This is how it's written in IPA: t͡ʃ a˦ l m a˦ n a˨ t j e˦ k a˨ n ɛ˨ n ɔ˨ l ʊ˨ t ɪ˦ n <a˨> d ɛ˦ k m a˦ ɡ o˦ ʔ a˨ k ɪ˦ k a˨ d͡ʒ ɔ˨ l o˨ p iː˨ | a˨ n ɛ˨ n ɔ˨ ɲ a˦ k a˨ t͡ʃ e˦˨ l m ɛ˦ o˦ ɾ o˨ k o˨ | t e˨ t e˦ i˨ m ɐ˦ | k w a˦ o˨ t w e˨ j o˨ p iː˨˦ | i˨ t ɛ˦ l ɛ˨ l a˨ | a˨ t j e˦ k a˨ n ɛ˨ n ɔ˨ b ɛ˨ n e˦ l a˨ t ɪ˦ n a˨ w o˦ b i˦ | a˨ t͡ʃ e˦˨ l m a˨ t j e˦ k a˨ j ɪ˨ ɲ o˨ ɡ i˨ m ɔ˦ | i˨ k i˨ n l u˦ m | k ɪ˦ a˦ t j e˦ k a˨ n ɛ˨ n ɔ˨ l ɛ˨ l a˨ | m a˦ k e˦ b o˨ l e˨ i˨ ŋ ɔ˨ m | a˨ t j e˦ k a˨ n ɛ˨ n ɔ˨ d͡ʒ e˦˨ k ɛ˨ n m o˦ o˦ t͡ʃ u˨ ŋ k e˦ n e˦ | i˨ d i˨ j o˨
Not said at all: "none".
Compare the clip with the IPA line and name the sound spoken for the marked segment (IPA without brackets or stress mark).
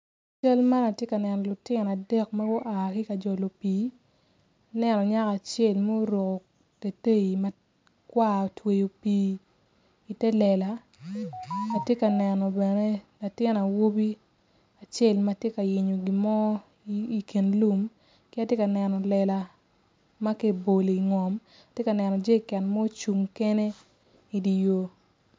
a˨